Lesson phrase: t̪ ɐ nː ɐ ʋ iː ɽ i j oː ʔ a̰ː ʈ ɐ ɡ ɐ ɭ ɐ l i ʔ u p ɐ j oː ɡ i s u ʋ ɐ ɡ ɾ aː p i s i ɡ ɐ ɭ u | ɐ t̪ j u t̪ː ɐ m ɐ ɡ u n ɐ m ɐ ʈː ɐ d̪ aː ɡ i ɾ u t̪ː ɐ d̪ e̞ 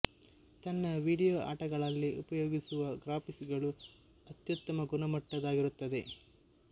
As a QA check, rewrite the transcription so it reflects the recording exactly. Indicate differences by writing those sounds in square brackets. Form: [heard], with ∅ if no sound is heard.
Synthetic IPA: t̪ ɐ nː ɐ ʋ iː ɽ i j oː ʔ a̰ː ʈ ɐ ɡ ɐ ɭ ɐ [lː] i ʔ u p ɐ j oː ɡ i s u ʋ ɐ ɡ ɾ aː p i s i ɡ ɐ ɭ u | ɐ t̪ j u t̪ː ɐ m ɐ ɡ u n ɐ m ɐ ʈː ɐ d̪ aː ɡ i ɾ u t̪ː ɐ d̪ e̞